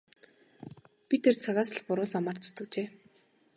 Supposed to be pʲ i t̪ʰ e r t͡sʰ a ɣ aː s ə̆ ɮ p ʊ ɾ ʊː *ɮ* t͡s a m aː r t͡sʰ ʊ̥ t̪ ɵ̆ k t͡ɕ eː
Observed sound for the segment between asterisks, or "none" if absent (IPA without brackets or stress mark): none